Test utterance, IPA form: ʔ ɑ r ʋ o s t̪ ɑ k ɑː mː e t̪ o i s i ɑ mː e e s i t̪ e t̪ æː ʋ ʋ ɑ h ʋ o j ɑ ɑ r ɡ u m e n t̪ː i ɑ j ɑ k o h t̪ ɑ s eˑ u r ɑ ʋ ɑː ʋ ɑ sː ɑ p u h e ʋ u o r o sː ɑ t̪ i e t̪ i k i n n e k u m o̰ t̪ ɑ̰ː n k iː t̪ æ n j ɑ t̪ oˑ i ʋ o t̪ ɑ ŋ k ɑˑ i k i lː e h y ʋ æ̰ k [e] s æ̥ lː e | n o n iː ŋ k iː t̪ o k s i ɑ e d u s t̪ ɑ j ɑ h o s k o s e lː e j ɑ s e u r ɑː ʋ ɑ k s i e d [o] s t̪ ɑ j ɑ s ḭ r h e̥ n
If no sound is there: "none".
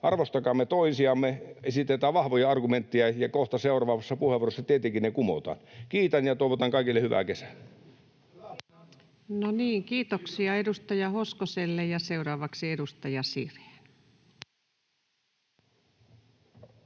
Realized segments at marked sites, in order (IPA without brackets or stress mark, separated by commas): e, u